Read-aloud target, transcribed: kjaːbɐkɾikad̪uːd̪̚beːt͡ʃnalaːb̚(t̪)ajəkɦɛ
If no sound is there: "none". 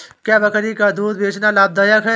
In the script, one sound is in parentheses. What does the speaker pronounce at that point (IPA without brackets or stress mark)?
d̪